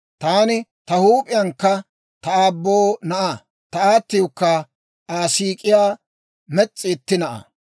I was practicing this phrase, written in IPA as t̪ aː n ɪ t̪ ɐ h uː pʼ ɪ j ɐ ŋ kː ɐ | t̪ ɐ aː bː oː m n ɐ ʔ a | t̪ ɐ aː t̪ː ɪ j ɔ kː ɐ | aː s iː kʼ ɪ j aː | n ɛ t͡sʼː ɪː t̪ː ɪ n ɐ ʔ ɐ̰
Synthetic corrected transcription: t̪ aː n ɪ t̪ ɐ h uː pʼ ɪ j ɐ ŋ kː ɐ | t̪ ɐ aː bː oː n ɐ ʔ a | t̪ ɐ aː t̪ː ɪ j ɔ kː ɐ | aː s iː kʼ ɪ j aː | m ɛ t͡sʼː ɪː t̪ː ɪ n ɐ ʔ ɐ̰